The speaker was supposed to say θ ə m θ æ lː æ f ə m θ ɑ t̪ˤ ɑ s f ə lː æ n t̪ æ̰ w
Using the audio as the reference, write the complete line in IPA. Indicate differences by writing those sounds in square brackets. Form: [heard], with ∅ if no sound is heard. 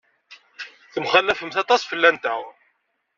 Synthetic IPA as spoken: θ ə m [χ] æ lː æ f ə m θ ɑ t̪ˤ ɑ s f ə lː æ n t̪ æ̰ w